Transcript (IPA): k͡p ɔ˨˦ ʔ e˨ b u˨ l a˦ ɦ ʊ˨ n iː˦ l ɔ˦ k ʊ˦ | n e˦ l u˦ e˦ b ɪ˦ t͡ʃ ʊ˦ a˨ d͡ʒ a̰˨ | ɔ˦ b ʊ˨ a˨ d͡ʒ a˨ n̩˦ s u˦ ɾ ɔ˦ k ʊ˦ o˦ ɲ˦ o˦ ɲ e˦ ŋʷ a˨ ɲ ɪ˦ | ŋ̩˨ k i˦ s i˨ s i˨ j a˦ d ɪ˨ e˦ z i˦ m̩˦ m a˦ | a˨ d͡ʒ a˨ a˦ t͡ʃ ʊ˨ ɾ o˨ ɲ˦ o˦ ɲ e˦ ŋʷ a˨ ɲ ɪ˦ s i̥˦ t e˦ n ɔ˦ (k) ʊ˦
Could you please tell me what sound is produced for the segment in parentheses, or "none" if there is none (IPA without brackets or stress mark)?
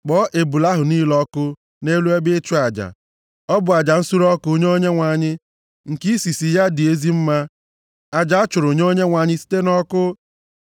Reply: k